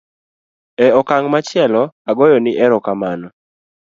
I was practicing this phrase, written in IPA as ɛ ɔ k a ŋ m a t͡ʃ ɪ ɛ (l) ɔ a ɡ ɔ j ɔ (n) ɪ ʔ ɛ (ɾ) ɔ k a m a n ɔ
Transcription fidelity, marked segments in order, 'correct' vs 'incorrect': correct, correct, correct

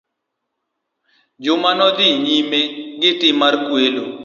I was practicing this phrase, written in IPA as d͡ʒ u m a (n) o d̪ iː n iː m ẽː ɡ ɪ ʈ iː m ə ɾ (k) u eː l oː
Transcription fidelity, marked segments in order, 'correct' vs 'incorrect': correct, correct

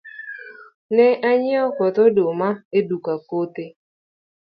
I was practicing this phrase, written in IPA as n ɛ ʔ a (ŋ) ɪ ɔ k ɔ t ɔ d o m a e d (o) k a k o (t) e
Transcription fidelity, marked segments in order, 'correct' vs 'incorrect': incorrect: ɲ, incorrect: u, correct

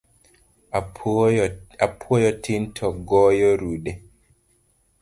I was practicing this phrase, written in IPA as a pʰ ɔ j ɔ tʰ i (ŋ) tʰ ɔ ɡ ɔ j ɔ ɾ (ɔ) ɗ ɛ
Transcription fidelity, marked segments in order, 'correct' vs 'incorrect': incorrect: n, incorrect: u

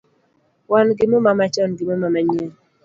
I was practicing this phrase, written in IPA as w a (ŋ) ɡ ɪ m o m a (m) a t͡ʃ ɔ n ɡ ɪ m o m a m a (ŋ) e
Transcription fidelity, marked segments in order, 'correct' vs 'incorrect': incorrect: n, correct, incorrect: ɲ

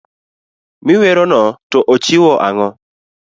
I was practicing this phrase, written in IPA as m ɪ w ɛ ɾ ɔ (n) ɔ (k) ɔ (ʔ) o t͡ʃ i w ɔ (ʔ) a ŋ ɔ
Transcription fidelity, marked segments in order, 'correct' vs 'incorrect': correct, incorrect: t, correct, correct

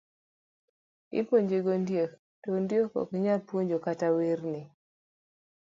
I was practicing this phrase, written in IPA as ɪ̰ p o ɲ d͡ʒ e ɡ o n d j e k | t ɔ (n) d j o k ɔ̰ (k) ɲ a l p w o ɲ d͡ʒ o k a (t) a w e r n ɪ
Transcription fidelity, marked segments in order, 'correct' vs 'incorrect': correct, correct, correct

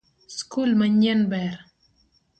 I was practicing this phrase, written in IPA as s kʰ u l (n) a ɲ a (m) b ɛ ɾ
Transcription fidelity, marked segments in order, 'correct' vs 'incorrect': incorrect: m, incorrect: n

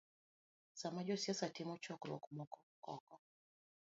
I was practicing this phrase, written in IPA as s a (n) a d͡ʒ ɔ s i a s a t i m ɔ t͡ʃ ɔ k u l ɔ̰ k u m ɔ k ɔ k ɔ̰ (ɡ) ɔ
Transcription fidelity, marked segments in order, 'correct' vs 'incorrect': incorrect: m, incorrect: k

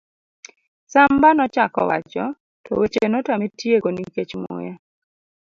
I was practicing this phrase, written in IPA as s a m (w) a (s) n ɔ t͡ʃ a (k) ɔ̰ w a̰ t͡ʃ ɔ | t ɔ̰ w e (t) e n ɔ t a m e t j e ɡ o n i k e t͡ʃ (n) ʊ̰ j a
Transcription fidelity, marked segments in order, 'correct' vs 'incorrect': incorrect: b, incorrect: none, correct, incorrect: t͡ʃ, incorrect: m

